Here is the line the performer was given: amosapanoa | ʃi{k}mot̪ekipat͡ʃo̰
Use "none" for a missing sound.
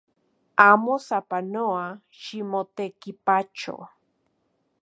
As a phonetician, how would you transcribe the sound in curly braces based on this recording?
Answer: none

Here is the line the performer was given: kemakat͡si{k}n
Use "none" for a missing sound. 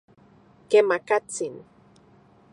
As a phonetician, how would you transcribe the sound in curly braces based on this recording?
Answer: none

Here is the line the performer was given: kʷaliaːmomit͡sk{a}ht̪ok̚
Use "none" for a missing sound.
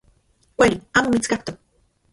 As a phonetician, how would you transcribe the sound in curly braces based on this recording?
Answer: a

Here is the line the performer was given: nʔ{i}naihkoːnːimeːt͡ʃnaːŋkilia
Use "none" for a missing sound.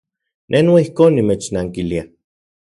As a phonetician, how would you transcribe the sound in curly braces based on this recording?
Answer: e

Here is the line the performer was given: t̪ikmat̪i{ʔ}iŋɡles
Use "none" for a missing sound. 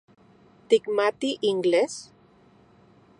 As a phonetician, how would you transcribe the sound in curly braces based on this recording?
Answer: ʔ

